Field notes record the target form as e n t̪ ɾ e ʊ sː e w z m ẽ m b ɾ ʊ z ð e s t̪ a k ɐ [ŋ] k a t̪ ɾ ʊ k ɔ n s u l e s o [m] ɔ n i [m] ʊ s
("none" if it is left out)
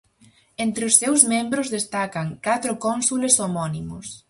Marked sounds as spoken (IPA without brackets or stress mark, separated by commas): ŋ, m, m